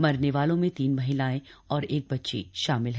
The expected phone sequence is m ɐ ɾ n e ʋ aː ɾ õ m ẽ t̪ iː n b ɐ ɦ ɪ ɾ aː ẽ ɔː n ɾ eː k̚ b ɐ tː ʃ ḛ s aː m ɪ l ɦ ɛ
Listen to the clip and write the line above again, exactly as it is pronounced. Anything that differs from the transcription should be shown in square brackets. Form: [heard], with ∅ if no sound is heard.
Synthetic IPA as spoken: m ɐ ɾ n e ʋ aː [l] õ m ẽ t̪ iː n [m] ɐ ɦ ɪ [l] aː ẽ ɔː [∅] ɾ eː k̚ b ɐ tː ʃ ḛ [ʃ] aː m ɪ l ɦ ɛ